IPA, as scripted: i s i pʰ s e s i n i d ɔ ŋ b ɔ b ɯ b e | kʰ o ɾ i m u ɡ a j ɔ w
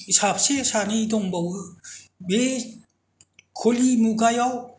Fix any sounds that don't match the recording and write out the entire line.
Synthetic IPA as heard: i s a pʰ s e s a n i d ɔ ŋ b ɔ w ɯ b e | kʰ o l i m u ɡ a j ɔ w